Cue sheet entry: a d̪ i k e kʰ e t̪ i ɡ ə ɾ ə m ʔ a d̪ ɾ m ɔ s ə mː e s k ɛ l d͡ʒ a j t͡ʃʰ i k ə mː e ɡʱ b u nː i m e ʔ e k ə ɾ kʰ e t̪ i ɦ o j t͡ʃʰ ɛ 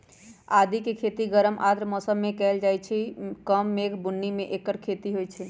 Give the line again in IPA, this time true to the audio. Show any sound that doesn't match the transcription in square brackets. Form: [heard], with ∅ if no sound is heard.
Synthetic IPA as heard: a d̪ i k e kʰ e t̪ i ɡ ə ɾ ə m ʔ a d̪ ɾ m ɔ s ə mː e [∅] k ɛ l d͡ʒ a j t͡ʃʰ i k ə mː e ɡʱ b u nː i m e ʔ e k ə ɾ kʰ e t̪ i ɦ o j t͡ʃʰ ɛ